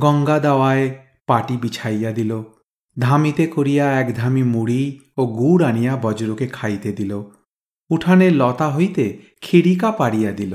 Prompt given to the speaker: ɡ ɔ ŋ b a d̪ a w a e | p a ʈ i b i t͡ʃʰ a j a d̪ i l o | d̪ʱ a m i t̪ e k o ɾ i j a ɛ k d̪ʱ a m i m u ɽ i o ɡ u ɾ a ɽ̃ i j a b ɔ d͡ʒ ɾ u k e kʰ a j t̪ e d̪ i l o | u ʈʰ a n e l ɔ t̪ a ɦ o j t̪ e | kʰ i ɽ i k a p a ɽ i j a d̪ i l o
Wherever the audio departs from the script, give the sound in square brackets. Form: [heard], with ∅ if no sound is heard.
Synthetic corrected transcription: ɡ ɔ ŋ [ɡ] a d̪ a w a e | p a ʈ i b i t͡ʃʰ a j a d̪ i l o | d̪ʱ a m i t̪ e k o ɾ i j a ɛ k d̪ʱ a m i m u ɽ i o ɡ u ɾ a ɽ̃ i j a b ɔ d͡ʒ ɾ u k e kʰ a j t̪ e d̪ i l o | u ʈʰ a n e l ɔ t̪ a ɦ o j t̪ e | kʰ i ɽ i k a p a ɽ i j a d̪ i l o